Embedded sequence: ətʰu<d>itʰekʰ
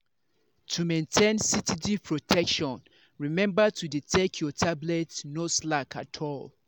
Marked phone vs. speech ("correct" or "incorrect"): correct